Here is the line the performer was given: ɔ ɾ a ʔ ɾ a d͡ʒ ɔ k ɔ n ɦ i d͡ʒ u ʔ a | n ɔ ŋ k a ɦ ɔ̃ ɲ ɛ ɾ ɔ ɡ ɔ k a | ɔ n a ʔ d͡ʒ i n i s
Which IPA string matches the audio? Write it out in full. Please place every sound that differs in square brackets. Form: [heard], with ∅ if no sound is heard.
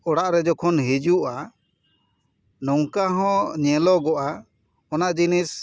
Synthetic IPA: ɔ [ɽ] a ʔ ɾ [ɛ] d͡ʒ ɔ [kʰ] ɔ n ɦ i d͡ʒ u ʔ a | n ɔ ŋ k a ɦ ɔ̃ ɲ ɛ [l] ɔ ɡ ɔ [ʔ] a | ɔ n a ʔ d͡ʒ i n i s